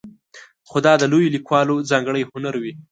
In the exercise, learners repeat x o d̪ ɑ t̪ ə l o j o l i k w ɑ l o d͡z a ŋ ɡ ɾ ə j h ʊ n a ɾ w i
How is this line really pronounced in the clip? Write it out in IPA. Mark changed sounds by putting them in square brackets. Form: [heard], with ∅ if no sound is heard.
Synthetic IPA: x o d̪ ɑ [d̪] ə l o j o l i k w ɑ l o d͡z [ɑ] ŋ ɡ [ɽ] ə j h ʊ n a ɾ w i